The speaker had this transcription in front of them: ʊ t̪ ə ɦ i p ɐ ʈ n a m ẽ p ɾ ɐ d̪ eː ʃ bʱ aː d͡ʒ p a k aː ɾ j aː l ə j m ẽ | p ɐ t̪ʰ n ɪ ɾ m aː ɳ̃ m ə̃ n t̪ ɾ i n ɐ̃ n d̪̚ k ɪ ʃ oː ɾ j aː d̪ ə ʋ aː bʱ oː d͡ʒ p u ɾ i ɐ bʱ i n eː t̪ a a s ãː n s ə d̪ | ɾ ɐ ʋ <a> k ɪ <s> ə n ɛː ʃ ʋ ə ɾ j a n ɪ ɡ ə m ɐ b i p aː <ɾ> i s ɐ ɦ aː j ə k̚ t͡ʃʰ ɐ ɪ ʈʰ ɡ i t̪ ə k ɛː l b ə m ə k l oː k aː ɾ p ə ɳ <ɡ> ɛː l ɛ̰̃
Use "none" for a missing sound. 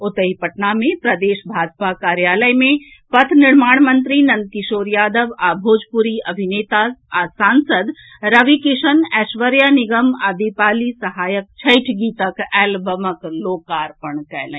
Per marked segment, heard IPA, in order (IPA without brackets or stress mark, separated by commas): i, ʃ, l, k